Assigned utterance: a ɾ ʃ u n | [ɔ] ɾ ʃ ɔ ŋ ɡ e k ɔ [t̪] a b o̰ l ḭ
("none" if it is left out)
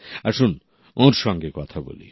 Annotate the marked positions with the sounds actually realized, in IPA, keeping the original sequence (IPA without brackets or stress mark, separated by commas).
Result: o, t̪ʰ